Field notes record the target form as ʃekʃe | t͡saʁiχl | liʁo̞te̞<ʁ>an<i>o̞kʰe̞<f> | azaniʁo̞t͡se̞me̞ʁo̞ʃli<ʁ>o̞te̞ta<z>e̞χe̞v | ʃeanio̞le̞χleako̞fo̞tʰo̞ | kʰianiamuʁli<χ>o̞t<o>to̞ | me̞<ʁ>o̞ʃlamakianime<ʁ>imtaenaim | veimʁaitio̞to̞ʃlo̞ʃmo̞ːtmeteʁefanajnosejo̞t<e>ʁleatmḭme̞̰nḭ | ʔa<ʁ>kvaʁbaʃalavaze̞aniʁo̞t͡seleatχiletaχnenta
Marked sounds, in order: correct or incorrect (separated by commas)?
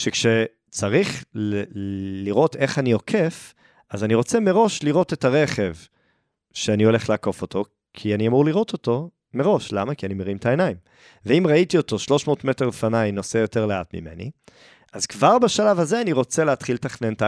incorrect, correct, correct, correct, incorrect, incorrect, correct, correct, correct, correct, incorrect